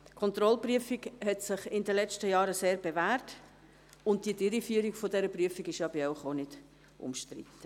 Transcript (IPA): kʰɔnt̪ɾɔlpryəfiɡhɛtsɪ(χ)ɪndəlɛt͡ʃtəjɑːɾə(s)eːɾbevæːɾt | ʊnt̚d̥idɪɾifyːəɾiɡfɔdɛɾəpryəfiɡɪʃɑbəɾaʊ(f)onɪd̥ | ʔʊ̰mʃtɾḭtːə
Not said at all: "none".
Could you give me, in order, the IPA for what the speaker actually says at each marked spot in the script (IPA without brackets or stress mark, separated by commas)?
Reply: χ, s, χ